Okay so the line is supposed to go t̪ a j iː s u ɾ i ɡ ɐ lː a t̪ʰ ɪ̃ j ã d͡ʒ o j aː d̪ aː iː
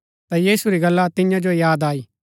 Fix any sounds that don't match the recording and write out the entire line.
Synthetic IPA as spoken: t̪ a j iː s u ɾ i ɡ ɐ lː a t̪ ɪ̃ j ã d͡ʒ o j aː d̪ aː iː